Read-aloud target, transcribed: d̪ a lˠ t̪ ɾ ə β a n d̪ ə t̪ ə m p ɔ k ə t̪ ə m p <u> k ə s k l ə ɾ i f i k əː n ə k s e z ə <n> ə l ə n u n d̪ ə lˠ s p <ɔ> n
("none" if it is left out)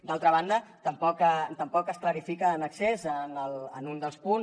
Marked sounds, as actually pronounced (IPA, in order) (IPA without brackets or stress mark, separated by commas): ɔ, n, u